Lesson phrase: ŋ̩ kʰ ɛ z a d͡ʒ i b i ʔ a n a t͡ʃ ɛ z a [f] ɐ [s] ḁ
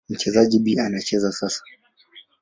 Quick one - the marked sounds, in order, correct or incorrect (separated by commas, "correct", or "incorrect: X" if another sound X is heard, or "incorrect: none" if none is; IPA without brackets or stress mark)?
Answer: incorrect: s, correct